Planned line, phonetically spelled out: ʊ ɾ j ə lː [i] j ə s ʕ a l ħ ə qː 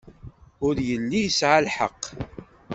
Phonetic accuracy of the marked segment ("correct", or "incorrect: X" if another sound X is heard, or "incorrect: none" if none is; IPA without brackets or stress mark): correct